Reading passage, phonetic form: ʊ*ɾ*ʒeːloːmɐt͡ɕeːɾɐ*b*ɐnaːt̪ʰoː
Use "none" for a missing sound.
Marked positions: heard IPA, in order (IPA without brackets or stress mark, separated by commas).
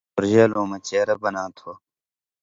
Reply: ɾ, b